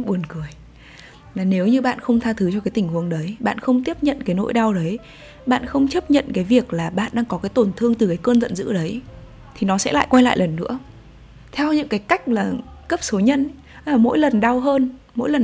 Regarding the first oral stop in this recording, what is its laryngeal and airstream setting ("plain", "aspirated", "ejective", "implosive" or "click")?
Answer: implosive